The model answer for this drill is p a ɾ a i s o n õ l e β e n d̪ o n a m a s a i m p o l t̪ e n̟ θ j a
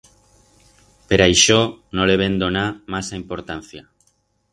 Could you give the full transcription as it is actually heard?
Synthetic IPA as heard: p e ɾ a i ʃ o n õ l e β e n d̪ o n a m a s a i m p o ɾ t̪ a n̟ θ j a